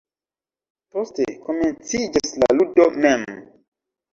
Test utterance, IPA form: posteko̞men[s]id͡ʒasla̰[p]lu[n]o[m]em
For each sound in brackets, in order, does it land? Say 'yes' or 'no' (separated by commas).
no, no, no, yes